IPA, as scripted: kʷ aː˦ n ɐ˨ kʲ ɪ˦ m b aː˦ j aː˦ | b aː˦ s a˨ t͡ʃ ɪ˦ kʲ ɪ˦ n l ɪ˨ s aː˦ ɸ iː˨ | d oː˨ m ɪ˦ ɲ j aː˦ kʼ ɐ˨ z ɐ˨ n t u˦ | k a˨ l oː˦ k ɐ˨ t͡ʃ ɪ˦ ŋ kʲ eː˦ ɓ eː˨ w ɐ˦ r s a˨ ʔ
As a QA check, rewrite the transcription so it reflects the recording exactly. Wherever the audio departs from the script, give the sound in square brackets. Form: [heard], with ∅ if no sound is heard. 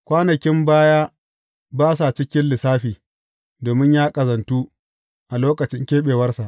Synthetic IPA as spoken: kʷ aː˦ n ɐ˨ kʲ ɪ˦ m b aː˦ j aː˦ | b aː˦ s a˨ t͡ʃ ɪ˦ kʲ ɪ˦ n l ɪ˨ s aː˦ ɸ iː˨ | d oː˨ m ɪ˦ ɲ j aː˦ kʼ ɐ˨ z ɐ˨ n t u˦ | [ʔ] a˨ l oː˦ k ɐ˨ t͡ʃ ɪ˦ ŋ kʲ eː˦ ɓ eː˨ w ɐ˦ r s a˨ ʔ

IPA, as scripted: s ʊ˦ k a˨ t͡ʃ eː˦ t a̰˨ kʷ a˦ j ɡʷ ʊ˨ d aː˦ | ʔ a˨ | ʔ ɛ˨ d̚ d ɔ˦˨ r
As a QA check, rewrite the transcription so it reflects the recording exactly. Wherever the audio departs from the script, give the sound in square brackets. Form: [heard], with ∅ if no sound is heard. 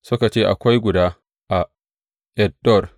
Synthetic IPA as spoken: s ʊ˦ k a˨ t͡ʃ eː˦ [ʔ] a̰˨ kʷ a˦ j ɡʷ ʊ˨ d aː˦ | ʔ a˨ | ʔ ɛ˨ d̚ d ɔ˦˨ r

